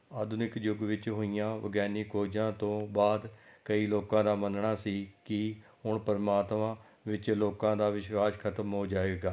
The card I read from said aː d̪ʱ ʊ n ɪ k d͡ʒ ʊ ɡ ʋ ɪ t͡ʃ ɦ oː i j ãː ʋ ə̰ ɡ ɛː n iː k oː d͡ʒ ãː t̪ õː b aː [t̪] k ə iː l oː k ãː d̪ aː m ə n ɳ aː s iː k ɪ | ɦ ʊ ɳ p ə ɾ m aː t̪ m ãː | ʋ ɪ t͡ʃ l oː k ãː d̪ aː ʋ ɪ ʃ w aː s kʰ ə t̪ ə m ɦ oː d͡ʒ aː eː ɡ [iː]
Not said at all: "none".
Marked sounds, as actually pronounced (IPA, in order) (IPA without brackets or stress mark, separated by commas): d̪, aː